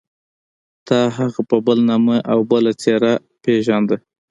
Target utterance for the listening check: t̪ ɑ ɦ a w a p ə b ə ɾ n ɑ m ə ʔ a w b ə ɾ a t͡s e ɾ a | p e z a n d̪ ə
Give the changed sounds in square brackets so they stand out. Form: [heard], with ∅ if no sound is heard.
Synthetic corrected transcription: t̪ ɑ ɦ a [ɣ] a p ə b ə [l] n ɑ m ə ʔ a w b ə [l] a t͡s e ɾ a | p e [ʒ] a n d̪ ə